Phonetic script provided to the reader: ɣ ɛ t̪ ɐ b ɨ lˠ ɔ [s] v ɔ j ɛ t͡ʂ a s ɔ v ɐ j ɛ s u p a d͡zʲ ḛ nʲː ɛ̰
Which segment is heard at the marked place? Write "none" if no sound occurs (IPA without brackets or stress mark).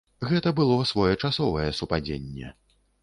s